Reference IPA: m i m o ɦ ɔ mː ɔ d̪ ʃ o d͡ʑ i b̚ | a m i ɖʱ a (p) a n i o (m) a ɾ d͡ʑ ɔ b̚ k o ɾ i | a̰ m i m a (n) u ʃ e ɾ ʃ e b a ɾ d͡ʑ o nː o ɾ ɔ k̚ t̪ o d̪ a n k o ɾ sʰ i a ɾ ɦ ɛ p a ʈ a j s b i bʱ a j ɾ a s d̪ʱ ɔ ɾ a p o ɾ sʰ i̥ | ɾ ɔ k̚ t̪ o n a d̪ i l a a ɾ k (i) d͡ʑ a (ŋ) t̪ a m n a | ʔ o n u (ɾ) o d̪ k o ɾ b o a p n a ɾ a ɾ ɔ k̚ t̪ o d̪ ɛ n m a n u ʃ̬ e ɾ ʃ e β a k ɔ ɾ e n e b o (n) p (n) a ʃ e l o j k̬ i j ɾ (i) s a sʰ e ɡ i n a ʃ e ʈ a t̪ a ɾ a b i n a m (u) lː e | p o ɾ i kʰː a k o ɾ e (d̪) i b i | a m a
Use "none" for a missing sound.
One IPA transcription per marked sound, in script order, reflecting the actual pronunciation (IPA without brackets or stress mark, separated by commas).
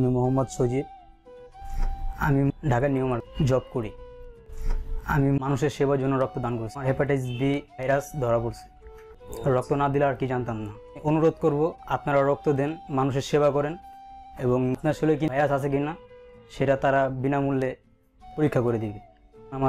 k, m, n, i, n, ɾ, ŋ, n, a, u, d̪